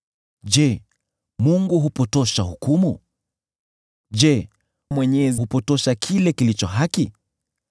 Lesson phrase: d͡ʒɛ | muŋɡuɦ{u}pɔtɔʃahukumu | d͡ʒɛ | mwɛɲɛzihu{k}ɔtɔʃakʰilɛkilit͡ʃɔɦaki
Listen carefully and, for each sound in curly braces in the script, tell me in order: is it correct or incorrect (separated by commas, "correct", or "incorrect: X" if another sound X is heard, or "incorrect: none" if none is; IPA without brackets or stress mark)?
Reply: correct, incorrect: p